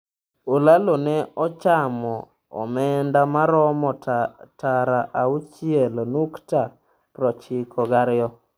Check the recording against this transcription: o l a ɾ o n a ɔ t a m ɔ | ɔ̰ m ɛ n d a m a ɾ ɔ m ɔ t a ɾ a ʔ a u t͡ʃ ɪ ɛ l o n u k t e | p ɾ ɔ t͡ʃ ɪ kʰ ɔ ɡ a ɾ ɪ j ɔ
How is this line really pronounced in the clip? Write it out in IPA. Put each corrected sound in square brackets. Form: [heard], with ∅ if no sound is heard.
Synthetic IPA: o l a [l] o n [ɛ] ɔ [t͡ʃ] a m ɔ | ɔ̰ m ɛ n d a m a ɾ ɔ m ɔ t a ɾ a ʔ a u t͡ʃ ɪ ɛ l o n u k t [a] | p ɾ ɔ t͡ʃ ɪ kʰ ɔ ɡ a ɾ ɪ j ɔ